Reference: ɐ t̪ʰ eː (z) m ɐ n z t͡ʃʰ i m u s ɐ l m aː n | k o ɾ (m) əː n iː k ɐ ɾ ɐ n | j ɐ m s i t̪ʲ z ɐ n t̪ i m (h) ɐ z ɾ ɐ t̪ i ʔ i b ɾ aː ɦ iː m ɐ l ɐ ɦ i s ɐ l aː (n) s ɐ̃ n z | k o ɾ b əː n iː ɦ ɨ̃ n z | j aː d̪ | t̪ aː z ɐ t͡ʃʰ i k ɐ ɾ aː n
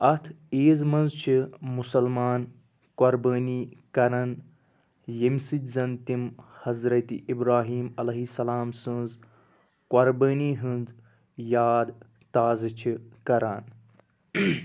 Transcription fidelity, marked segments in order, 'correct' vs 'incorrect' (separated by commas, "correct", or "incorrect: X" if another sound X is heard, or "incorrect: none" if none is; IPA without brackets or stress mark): correct, incorrect: b, correct, incorrect: m